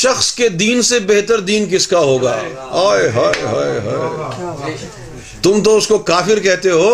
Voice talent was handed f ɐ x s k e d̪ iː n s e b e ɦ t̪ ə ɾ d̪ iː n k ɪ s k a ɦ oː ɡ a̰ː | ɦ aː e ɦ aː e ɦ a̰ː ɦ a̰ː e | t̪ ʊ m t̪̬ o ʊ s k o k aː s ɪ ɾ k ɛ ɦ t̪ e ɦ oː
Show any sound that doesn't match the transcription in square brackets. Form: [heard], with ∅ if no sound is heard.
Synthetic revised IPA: [ʃ] ɐ x s k e d̪ iː n s e b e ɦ t̪ ə ɾ d̪ iː n k ɪ s k a ɦ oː ɡ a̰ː | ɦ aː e ɦ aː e ɦ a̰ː ɦ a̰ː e | t̪ ʊ m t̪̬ o ʊ s k o k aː [f] ɪ ɾ k ɛ ɦ t̪ e ɦ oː